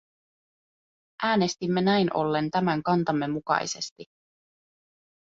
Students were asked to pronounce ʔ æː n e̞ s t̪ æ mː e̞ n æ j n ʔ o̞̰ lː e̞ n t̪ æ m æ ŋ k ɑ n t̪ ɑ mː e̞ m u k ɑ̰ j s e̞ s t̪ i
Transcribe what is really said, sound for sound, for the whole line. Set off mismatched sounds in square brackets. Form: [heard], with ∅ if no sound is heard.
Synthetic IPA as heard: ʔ æː n e̞ s t̪ [i] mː e̞ n æ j n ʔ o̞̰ lː e̞ n t̪ æ m æ ŋ k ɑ n t̪ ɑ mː e̞ m u k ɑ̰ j s e̞ s t̪ i